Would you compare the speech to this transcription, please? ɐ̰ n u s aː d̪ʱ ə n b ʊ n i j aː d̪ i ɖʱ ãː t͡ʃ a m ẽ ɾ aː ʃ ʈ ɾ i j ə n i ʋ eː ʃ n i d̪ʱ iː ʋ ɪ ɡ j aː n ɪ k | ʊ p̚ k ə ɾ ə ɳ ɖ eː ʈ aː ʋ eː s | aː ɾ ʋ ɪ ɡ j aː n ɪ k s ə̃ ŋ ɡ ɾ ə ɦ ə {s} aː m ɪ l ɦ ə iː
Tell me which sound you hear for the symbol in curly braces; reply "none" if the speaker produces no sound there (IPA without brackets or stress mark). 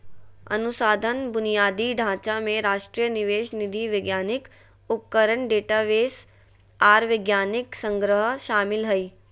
ʃ